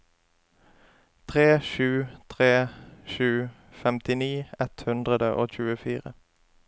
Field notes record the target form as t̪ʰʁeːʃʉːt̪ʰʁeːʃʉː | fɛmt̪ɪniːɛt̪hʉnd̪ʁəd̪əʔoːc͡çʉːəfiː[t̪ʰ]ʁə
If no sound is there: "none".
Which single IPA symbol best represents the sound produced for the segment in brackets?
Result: none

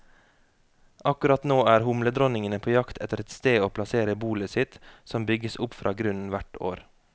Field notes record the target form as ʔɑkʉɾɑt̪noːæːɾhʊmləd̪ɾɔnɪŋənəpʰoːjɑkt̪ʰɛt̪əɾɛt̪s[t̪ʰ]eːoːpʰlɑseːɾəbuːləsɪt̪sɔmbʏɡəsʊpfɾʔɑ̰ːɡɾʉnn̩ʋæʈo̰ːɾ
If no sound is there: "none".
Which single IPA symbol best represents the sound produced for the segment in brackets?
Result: t̪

